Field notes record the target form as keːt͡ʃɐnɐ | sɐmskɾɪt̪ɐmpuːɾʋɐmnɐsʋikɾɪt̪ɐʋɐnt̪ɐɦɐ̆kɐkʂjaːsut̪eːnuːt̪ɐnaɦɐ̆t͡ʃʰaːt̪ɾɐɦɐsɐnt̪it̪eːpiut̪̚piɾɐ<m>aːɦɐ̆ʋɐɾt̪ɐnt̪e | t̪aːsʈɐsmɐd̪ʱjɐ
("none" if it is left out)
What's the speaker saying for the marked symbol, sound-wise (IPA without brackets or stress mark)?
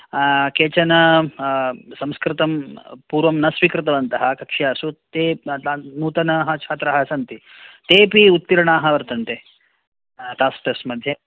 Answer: ɳ